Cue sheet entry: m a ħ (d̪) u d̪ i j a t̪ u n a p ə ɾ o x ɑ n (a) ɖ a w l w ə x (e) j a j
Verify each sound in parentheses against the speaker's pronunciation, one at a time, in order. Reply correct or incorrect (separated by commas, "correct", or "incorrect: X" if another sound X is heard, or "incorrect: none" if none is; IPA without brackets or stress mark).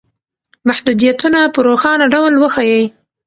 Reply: correct, correct, incorrect: a